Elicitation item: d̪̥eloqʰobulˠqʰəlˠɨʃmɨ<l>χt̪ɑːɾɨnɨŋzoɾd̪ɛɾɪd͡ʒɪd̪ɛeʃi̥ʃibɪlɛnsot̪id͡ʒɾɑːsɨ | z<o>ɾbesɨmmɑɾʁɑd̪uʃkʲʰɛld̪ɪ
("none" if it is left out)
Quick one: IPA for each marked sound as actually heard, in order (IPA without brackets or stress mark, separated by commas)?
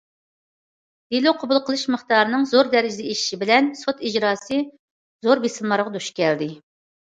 none, o